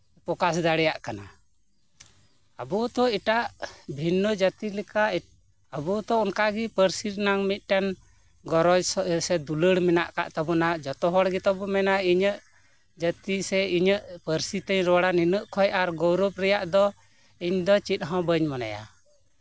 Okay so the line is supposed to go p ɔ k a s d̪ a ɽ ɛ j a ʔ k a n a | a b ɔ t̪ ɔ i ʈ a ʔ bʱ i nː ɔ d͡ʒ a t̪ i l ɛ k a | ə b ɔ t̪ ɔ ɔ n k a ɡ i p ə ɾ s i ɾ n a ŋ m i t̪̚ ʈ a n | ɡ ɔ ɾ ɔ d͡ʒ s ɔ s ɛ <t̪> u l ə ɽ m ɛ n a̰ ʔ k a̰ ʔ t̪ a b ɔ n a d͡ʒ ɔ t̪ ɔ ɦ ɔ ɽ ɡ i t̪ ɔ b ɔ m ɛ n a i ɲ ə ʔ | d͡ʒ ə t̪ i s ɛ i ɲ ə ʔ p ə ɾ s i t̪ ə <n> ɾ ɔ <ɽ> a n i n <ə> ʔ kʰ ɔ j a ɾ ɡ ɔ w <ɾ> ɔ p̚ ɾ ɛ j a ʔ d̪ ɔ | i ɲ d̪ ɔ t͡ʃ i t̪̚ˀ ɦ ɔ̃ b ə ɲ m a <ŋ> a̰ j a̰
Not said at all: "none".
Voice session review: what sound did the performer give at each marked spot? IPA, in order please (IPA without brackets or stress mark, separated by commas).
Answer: d̪, ɲ, ɽ, ə, ɾ, n